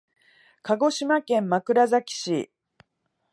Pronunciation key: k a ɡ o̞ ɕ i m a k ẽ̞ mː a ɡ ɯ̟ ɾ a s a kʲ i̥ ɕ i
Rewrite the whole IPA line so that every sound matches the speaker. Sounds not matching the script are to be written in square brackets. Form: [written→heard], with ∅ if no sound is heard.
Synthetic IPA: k a ɡ o̞ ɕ i m a k ẽ̞ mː a [ɡ→k] ɯ̟ ɾ a [s→z] a kʲ i̥ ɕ i